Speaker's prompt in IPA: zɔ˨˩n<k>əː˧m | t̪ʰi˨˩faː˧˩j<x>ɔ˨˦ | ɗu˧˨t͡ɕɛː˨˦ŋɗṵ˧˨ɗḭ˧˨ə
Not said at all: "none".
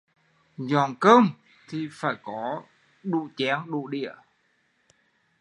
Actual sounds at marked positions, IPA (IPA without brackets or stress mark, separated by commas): k, k